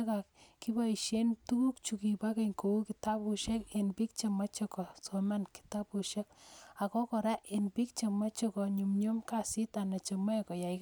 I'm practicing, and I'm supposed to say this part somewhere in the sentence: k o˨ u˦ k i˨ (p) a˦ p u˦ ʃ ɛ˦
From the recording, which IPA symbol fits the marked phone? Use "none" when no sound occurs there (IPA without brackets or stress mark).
t